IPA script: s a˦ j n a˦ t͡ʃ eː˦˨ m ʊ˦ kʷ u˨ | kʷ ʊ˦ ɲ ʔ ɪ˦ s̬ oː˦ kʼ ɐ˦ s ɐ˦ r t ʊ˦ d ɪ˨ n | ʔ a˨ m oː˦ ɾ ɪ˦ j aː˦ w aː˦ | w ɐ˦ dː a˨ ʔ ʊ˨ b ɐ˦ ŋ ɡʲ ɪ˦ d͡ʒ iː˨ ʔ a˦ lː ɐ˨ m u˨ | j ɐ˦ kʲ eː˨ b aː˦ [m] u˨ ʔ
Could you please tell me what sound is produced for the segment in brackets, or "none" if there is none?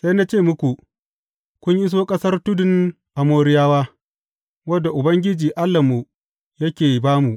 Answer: m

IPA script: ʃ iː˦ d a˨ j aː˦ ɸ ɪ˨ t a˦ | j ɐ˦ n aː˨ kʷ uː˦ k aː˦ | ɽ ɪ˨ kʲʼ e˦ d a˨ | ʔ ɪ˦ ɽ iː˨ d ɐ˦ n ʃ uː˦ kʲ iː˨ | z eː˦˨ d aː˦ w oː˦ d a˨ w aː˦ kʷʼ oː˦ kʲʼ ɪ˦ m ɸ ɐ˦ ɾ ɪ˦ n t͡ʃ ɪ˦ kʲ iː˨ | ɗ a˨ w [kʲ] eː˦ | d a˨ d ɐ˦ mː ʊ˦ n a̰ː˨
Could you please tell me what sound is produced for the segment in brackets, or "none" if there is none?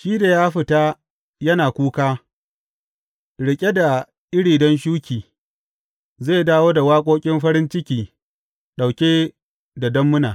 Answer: kʲ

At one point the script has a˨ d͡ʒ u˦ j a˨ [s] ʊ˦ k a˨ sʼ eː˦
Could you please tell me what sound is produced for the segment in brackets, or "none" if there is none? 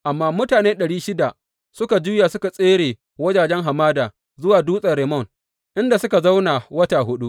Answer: s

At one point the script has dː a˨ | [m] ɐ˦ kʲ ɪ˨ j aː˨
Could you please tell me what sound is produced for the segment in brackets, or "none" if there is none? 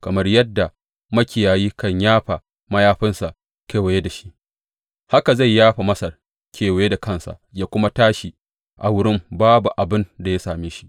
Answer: m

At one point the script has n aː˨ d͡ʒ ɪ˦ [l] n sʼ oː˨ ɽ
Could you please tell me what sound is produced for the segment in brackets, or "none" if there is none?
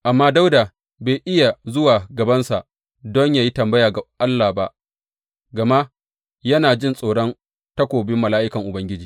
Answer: none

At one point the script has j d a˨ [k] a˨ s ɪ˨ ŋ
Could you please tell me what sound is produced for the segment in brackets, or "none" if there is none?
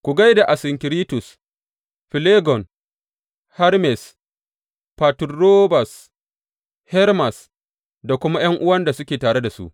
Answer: ʔ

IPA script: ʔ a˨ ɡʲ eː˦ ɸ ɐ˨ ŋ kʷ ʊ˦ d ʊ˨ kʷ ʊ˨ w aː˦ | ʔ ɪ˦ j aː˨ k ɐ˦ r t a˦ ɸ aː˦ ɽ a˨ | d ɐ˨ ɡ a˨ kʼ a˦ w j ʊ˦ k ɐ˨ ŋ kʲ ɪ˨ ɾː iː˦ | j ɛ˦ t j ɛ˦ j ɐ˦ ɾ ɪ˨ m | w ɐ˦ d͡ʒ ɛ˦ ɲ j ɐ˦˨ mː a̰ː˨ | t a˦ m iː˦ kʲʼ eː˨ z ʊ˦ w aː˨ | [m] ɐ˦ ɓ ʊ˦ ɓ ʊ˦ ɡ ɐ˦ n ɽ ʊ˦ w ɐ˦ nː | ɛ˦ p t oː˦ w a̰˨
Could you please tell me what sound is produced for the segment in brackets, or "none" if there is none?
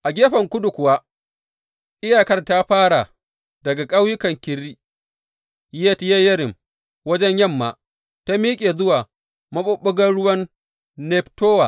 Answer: m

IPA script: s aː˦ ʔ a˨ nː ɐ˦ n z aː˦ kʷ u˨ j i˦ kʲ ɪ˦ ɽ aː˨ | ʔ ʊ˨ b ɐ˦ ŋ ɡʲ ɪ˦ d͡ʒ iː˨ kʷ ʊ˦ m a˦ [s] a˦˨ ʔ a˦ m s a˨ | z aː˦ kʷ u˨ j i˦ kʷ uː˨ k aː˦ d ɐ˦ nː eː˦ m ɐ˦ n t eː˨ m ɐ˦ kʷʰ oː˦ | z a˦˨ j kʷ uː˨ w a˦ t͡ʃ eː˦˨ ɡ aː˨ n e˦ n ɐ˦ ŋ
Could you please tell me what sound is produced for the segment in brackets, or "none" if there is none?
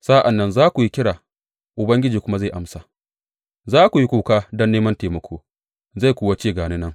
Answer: z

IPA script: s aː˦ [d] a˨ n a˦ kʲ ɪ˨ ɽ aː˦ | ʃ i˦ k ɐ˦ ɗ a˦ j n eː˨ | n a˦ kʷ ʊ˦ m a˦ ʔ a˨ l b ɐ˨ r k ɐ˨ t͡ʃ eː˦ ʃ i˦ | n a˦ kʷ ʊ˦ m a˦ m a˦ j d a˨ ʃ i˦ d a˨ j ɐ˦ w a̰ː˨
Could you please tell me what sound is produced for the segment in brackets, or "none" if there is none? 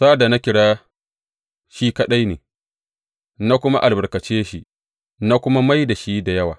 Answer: d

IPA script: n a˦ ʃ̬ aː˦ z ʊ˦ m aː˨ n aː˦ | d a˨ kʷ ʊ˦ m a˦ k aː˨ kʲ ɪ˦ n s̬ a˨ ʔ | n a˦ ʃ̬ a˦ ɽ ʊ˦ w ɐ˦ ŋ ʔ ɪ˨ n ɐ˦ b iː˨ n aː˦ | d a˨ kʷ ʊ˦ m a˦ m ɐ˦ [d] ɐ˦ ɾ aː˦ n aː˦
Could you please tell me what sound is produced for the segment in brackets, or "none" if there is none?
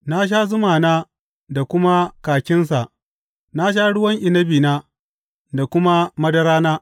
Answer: d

